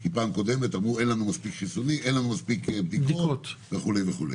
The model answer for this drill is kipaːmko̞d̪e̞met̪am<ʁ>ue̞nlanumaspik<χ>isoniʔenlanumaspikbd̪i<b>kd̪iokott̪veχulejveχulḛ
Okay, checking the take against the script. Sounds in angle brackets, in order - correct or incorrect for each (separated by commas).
correct, correct, correct